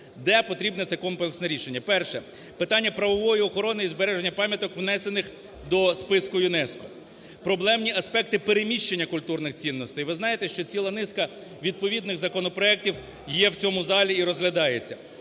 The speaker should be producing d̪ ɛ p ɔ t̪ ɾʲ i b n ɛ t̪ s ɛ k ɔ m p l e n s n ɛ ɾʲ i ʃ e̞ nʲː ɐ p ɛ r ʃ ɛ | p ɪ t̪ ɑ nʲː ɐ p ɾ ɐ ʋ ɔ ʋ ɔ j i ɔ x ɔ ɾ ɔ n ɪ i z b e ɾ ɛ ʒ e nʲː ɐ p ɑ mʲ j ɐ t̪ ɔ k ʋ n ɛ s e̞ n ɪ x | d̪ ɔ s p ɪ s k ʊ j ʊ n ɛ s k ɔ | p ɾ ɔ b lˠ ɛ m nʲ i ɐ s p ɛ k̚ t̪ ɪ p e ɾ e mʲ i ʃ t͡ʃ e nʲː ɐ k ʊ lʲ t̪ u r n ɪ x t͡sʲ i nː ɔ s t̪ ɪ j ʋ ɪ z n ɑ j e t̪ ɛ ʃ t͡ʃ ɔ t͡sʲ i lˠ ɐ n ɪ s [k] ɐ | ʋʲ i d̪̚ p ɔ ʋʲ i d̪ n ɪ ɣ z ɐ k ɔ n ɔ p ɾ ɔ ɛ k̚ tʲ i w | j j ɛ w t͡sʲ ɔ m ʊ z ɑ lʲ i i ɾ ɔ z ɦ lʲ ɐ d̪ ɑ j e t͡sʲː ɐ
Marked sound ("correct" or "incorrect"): correct